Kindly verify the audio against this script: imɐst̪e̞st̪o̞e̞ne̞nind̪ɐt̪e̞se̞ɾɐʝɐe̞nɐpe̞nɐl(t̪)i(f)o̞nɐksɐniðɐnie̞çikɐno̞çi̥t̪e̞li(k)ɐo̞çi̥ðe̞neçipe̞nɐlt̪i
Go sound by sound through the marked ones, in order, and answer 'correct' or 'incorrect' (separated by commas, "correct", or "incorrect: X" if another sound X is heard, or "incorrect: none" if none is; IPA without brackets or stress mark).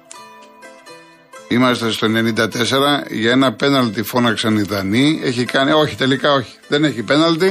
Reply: correct, correct, correct